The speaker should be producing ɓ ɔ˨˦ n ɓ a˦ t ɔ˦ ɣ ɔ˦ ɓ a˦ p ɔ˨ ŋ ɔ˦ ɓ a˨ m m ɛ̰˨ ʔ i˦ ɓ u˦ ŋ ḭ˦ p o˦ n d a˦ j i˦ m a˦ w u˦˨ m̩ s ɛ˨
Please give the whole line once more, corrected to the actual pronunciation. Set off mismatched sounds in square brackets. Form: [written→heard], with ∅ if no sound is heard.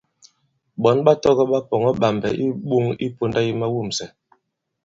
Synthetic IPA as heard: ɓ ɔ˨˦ n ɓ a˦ t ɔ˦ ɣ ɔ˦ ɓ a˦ p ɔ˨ ŋ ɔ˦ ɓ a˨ m [m→b] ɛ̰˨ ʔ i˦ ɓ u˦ ŋ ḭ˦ p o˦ n d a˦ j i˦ m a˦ w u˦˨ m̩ s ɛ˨